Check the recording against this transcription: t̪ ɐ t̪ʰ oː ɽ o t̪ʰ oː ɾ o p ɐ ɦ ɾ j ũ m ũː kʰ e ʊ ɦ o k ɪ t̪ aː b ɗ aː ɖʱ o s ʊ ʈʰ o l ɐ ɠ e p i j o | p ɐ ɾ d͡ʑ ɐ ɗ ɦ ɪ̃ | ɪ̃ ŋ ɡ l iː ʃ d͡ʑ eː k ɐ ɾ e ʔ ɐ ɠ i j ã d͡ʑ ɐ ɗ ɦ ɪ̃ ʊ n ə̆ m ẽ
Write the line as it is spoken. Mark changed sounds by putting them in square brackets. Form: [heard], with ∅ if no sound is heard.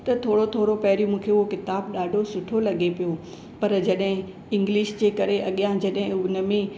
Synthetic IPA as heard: t̪ ɐ t̪ʰ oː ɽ o t̪ʰ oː ɾ o p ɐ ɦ ɾ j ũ m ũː kʰ e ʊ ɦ o k ɪ t̪ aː b ɗ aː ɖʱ o s ʊ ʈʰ o l ɐ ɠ e p i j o | p ɐ ɾ d͡ʑ ɐ ɗ ɦ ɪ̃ | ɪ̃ ŋ ɡ l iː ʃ d͡ʑ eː k ɐ ɾ e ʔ ɐ ɠ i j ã d͡ʑ ɐ ɗ ɦ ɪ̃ ʊ n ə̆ m ẽ